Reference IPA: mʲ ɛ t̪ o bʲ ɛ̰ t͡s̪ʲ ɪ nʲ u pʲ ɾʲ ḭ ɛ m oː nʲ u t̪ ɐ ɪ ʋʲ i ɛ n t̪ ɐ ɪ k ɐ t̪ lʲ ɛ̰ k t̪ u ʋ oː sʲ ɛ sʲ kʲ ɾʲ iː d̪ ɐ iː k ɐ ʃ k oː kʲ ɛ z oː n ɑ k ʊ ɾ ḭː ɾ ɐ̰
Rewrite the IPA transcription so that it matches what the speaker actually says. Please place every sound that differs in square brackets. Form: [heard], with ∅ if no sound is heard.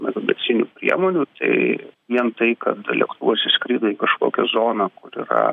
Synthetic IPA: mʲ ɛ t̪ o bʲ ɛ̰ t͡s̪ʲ ɪ nʲ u pʲ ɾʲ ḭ ɛ m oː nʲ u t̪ ɐ ɪ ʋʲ i ɛ n t̪ ɐ ɪ k ɐ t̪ lʲ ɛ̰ k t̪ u ʋ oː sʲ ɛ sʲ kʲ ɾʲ iː d̪ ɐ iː k ɐ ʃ k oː kʲ ɛ z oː n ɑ k ʊ ɾ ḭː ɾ ɐ̰